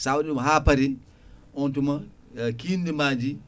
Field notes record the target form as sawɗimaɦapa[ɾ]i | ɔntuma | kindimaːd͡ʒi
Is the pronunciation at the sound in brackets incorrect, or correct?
correct